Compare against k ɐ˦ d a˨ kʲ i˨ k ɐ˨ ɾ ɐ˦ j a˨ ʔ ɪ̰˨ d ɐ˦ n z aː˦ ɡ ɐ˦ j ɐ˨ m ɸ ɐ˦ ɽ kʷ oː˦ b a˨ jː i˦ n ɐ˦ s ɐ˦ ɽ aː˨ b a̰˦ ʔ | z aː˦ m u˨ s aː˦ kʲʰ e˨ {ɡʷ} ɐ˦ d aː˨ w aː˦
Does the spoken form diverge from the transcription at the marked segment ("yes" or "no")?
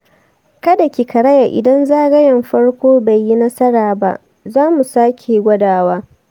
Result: no